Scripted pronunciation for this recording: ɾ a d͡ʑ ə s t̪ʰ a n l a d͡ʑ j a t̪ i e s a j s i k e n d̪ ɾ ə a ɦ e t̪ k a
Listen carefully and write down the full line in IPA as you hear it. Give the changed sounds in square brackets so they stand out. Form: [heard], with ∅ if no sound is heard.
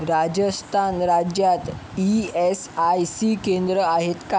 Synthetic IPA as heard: ɾ a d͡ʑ ə s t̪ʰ a n [ɾ] a d͡ʑ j a t̪ i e s a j s i k e n d̪ ɾ ə a ɦ e t̪ k a

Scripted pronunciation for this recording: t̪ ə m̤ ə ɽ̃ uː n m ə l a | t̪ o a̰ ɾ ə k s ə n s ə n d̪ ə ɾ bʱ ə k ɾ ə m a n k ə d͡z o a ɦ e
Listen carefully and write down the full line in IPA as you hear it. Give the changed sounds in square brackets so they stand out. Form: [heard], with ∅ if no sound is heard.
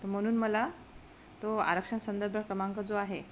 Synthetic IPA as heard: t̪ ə m̤ ə ɽ̃ uː n m ə l a | t̪ o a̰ ɾ ə k [ʂ] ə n s ə n d̪ ə ɾ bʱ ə k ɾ ə m a [ŋ] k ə d͡z o a ɦ e

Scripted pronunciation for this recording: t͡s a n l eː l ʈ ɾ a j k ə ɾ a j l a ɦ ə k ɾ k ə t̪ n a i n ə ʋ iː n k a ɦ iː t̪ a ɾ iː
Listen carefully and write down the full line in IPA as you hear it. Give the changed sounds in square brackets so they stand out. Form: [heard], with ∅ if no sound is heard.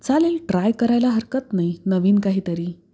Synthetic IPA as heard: t͡s a [∅] l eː l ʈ ɾ a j k ə ɾ a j l a ɦ ə [∅] ɾ k ə t̪ n a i n ə ʋ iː n k a ɦ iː t̪ [ə] ɾ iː

